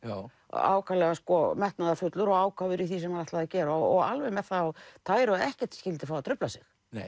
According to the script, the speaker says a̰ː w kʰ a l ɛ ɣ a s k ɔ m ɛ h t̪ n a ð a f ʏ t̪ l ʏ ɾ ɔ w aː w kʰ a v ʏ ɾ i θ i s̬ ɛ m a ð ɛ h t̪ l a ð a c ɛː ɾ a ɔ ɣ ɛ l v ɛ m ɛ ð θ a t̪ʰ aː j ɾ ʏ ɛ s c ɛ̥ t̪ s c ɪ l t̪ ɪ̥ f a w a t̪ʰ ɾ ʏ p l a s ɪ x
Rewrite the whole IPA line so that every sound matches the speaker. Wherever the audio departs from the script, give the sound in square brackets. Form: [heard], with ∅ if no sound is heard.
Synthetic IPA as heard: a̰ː w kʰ a l ɛ ɣ a s k ɔ m ɛ h t̪ n a ð a f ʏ t̪ l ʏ ɾ ɔ [ɣ] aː w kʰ a v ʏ ɾ i θ i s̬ ɛ m a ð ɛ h t̪ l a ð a c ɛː ɾ a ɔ ɣ [a] l v ɛ m ɛ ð θ a t̪ʰ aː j ɾ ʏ ɛ [h] c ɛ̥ t̪ s c ɪ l t̪ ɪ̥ f a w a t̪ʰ ɾ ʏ p l a s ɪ x